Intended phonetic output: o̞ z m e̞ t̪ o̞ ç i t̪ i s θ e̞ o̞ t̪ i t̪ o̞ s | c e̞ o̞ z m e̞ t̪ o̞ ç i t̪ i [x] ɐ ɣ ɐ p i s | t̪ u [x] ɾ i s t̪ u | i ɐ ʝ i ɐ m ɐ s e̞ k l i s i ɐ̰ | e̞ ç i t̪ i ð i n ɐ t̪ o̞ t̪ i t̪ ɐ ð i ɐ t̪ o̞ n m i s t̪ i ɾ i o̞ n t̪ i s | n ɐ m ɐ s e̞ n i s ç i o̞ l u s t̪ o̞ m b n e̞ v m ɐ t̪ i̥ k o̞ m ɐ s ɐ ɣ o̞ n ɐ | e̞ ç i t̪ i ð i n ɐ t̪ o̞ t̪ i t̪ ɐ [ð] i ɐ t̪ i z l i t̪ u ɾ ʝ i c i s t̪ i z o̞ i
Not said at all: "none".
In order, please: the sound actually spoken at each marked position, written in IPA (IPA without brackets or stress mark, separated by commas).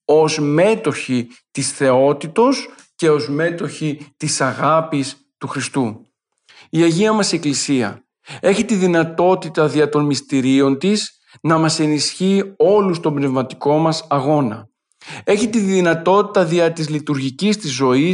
s, x, ð